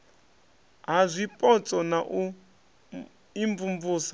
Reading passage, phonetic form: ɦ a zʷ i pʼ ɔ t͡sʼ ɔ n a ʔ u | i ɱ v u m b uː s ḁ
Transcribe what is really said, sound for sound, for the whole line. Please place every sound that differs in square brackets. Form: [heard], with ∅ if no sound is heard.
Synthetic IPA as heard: ɦ a zʷ i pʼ ɔ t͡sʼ ɔ n a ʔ u | i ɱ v u m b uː s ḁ